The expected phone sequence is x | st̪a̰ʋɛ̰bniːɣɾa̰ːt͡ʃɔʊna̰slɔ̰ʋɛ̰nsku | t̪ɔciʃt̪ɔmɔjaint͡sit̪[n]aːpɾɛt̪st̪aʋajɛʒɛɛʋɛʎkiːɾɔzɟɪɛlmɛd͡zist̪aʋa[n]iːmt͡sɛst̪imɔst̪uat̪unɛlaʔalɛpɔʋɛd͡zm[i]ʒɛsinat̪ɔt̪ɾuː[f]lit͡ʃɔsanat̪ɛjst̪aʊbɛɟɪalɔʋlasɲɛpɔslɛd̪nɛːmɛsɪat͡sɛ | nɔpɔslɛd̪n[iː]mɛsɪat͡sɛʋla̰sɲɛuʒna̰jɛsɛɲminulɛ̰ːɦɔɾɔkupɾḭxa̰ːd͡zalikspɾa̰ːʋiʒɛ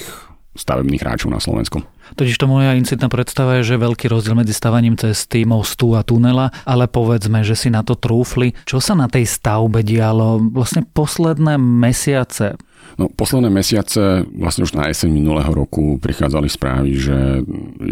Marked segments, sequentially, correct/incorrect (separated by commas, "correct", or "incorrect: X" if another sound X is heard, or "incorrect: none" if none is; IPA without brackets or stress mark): correct, incorrect: ɲ, incorrect: ɛ, correct, incorrect: ɛː